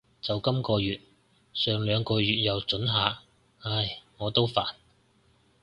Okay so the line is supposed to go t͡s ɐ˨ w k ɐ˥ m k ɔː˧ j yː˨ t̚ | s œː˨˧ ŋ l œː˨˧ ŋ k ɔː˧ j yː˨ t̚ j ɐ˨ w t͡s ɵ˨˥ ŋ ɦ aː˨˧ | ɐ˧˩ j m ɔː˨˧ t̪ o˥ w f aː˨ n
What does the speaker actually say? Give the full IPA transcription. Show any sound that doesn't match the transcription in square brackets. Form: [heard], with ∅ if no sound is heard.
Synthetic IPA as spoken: t͡s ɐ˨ w k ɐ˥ m k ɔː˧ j yː˨ t̚ | s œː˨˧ ŋ l œː˨˧ ŋ k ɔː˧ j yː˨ t̚ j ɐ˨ w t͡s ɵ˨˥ [n] ɦ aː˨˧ | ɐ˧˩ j [ŋ] ɔː˨˧ t̪ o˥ w f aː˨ n